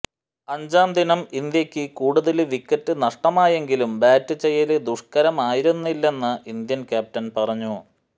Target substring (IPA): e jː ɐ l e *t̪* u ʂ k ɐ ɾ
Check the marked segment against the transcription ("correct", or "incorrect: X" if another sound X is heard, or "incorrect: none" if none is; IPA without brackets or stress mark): incorrect: d̪